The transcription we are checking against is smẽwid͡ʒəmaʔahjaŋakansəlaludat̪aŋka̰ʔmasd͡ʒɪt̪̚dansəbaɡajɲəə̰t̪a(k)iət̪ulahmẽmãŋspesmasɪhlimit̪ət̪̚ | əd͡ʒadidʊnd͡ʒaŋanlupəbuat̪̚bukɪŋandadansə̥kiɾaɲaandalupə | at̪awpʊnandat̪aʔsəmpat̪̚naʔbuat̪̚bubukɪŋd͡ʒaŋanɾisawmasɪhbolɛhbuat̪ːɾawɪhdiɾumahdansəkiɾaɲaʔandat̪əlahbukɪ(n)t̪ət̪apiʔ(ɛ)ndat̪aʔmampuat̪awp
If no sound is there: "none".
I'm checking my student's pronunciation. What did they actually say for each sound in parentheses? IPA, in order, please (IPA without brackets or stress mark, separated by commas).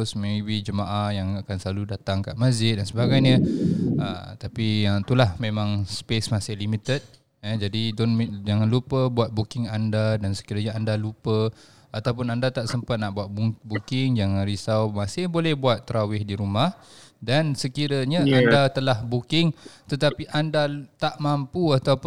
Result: p, ŋ, a